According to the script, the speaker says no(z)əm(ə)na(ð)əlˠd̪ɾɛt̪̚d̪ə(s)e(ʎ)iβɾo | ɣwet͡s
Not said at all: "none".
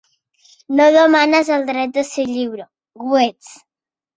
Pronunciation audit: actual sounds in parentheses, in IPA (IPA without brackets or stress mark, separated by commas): ð, a, z, s, ʎ